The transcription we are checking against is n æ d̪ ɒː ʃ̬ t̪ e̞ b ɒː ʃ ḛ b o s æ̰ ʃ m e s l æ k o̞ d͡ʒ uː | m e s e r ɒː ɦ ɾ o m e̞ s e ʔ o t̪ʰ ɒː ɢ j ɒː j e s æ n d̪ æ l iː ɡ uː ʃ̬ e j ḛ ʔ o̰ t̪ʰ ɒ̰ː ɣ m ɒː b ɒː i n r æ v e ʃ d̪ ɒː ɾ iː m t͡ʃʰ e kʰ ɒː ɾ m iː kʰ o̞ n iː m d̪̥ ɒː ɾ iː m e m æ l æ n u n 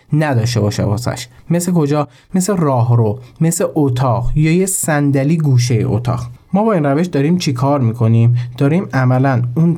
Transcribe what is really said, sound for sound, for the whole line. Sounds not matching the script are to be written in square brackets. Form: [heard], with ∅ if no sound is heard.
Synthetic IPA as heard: n æ d̪ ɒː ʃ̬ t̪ e̞ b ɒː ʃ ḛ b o s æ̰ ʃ m e s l [e] k o̞ d͡ʒ [ɒː] | m e s e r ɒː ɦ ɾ o m e̞ s e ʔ o t̪ʰ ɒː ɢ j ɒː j e s æ n d̪ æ l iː ɡ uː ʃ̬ e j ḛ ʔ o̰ t̪ʰ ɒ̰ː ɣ m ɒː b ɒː i n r æ v e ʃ d̪ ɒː ɾ iː m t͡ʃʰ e kʰ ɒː ɾ m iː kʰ o̞ n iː m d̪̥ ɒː ɾ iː m [æ] m æ l æ n u n